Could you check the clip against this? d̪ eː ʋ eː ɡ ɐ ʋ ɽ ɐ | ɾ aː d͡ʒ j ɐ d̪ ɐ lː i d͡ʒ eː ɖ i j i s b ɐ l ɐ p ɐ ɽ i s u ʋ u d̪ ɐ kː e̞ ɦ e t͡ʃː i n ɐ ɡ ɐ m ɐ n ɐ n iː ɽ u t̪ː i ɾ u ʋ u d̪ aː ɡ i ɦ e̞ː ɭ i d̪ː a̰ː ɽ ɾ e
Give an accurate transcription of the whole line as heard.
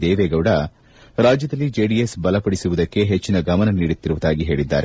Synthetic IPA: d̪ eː ʋ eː ɡ ɐ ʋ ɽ ɐ | ɾ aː d͡ʒ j ɐ d̪ ɐ lː i d͡ʒ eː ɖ i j e s b ɐ l ɐ p ɐ ɽ i s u ʋ u d̪ ɐ kː e̞ ɦ e t͡ʃː i n ɐ ɡ ɐ m ɐ n ɐ n iː ɽ u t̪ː i ɾ u ʋ u d̪ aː ɡ i ɦ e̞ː ɭ i d̪ː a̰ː ɾ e